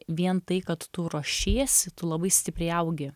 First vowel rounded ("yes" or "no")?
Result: no